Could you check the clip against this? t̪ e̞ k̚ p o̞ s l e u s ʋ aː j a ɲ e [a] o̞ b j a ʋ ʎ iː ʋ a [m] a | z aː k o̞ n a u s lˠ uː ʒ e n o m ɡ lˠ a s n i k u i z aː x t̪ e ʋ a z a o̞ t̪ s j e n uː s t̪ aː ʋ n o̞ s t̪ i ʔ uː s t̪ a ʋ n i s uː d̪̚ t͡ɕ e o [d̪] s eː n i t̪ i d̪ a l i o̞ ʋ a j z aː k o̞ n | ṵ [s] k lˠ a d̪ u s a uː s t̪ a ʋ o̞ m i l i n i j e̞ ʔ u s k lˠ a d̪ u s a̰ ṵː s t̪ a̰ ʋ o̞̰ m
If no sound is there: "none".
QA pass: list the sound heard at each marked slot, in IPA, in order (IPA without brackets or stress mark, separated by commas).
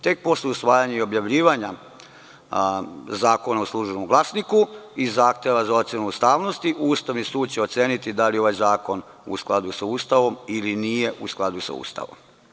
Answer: i, ɲ, t̪, s